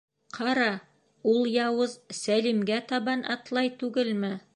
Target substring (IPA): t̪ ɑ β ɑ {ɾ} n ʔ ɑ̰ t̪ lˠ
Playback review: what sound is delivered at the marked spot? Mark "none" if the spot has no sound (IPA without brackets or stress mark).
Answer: none